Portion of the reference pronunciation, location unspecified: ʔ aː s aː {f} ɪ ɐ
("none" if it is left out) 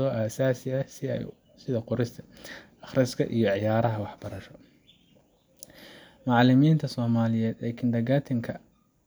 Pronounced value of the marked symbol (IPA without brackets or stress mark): s